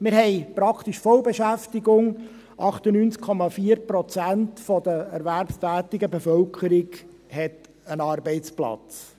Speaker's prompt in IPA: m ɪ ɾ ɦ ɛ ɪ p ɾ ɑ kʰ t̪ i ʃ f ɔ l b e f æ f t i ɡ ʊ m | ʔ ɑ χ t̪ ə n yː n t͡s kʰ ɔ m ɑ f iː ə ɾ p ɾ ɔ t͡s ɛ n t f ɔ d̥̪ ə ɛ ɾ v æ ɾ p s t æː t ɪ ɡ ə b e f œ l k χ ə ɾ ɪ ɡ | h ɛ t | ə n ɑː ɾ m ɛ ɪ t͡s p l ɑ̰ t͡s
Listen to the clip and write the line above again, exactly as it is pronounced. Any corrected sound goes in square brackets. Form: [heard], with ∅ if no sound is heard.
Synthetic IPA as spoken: m ɪ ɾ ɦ ɛ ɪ p ɾ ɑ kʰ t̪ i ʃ f ɔ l b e [ʃ] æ f t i ɡ ʊ [ŋ] | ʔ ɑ χ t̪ ə n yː n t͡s kʰ ɔ m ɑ f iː ə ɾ p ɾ ɔ t͡s [æ] n t f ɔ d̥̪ ə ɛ ɾ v æ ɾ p s t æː t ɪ ɡ ə b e f œ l k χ ə ɾ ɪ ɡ | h ɛ t | ə n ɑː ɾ [b] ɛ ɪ t͡s p l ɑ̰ t͡s